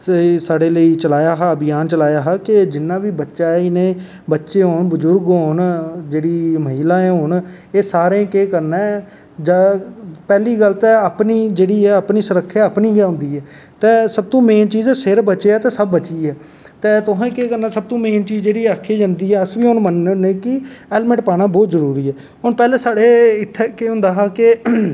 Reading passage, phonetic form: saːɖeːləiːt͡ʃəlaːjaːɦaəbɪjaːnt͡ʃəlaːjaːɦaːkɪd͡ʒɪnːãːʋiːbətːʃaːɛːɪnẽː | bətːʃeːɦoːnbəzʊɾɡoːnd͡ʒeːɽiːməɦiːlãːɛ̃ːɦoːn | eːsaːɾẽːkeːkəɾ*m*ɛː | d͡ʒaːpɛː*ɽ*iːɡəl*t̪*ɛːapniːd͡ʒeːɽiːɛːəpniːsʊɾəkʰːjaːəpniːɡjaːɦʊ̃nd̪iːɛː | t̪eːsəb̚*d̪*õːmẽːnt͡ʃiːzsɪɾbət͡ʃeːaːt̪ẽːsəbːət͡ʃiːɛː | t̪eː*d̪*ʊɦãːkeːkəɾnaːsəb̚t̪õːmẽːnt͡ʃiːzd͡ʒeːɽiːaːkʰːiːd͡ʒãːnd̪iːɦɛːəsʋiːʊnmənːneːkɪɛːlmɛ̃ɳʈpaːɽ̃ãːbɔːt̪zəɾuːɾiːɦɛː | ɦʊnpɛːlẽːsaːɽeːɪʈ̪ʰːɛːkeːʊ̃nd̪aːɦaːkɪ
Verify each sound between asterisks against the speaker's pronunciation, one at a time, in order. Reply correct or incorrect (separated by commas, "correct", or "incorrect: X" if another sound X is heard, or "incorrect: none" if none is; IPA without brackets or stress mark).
incorrect: n, incorrect: l, correct, incorrect: t̪, incorrect: t̪